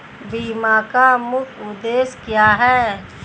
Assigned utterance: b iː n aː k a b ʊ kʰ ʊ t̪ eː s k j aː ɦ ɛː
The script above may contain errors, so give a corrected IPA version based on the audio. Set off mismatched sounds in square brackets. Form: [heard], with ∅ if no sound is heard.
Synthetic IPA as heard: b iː [m] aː k a [m] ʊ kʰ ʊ [d̪] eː s k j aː ɦ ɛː